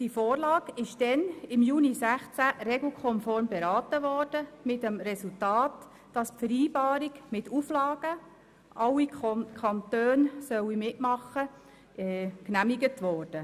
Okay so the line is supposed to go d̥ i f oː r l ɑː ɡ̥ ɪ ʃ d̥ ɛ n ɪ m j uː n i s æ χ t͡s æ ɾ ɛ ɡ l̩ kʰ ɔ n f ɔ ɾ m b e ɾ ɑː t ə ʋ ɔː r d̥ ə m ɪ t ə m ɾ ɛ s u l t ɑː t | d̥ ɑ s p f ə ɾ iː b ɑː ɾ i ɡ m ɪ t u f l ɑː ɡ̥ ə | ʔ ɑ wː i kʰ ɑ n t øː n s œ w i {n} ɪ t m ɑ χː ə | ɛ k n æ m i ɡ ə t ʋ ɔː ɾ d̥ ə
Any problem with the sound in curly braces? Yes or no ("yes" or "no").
yes